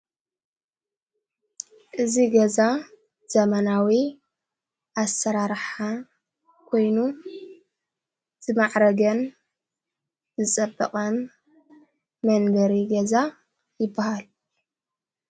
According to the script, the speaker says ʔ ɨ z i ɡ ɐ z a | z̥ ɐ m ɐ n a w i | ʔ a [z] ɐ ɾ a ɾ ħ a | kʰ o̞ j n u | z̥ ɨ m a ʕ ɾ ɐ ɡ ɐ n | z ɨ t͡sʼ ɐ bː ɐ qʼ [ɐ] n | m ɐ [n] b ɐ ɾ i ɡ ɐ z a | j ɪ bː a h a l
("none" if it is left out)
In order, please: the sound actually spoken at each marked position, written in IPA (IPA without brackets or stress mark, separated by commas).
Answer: s, ɐ, n